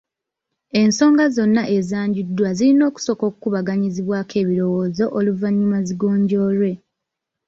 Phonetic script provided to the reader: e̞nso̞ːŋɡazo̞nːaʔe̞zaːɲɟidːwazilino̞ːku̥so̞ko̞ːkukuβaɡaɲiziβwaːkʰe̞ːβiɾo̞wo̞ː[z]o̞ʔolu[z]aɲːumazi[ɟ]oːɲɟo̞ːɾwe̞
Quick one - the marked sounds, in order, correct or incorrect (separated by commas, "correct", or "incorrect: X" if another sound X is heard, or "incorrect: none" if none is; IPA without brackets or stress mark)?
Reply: correct, incorrect: v, incorrect: ɡ